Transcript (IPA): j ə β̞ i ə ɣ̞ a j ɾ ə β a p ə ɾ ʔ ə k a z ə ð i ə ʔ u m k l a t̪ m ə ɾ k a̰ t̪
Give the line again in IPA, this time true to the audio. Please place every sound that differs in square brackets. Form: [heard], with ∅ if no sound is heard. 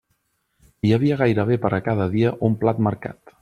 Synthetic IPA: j ə β̞ i ə ɣ̞ a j ɾ ə β [e] p ə ɾ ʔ ə k a [ð] ə ð i ə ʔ u m [p] l a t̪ m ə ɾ k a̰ t̪